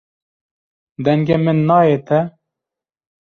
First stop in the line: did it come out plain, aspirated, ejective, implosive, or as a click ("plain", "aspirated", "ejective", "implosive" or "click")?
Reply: plain